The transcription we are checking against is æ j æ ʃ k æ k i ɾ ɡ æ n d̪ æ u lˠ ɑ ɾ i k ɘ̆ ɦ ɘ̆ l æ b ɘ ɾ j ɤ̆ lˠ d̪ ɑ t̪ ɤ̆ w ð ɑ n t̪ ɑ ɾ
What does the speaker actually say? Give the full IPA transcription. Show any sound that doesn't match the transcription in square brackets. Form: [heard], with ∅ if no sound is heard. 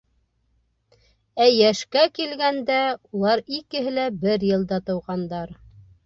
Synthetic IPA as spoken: æ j æ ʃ k æ k i [l] ɡ æ n d̪ æ u lˠ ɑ ɾ i k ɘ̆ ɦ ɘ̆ l æ b ɘ ɾ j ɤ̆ lˠ d̪ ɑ t̪ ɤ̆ w [ʁ] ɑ n [d̪] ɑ ɾ